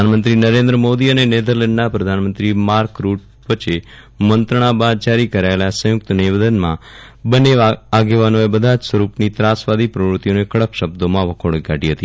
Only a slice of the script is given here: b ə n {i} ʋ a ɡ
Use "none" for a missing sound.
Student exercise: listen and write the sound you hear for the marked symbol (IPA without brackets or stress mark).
e